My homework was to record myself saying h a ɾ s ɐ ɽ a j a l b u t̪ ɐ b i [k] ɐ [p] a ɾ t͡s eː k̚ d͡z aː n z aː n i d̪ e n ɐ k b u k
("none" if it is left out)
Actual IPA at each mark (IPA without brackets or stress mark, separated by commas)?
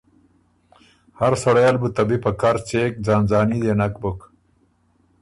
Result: p, k